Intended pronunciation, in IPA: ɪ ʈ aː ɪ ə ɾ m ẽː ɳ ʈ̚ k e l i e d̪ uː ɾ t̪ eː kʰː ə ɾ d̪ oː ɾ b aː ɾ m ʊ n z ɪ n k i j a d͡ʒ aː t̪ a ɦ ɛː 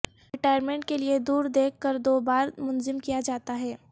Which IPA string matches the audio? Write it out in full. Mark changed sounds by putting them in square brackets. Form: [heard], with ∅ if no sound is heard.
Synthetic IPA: ɪ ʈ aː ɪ ə ɾ m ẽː ɳ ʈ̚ k e l i e d̪ uː ɾ [d̪] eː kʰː ə ɾ d̪ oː [∅] b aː ɾ m ʊ n z ɪ [m] k i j a d͡ʒ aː t̪ a ɦ ɛː